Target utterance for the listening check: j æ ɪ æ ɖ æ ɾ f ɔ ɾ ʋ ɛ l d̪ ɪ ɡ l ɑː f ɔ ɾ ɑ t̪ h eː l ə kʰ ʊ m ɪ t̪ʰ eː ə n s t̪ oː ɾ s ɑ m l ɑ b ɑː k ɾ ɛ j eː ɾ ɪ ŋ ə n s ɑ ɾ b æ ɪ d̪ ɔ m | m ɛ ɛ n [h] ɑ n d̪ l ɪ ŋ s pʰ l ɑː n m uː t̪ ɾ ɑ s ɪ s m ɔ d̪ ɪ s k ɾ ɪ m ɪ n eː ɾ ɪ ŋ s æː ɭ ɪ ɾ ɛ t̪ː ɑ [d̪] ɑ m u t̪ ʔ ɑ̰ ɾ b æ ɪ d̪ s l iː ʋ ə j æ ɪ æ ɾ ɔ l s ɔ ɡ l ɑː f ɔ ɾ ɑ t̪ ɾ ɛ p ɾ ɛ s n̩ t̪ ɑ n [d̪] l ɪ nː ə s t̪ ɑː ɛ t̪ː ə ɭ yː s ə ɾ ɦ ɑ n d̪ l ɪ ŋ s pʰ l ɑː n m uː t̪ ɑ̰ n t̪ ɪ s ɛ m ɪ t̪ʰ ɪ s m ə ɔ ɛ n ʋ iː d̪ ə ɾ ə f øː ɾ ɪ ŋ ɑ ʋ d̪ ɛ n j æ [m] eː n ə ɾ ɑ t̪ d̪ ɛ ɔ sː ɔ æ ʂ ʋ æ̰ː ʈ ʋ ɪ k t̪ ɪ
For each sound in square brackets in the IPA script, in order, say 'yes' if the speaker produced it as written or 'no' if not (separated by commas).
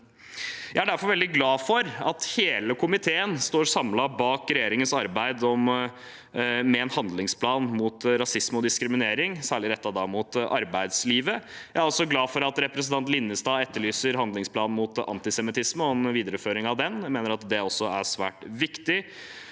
yes, yes, no, yes